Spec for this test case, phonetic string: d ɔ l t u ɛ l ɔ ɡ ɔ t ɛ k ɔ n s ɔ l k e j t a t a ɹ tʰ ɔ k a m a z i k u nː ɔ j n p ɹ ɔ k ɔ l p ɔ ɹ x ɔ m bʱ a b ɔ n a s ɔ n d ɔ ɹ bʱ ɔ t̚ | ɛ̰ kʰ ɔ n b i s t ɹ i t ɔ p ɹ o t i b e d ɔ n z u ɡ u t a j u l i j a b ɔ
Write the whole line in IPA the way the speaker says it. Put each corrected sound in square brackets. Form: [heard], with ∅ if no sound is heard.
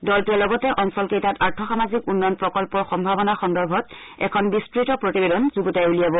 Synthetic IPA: d ɔ l t u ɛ l ɔ ɡ ɔ t ɛ [ʔ] ɔ n s ɔ l k e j t a t a ɹ tʰ ɔ [x] a m a z i k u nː ɔ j n p ɹ ɔ k ɔ l p ɔ ɹ x ɔ m bʱ a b ɔ n a [x] ɔ n d ɔ ɹ bʱ ɔ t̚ | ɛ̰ kʰ ɔ n b i s t ɹ i t ɔ p ɹ o t i b e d ɔ n z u ɡ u t a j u l i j a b ɔ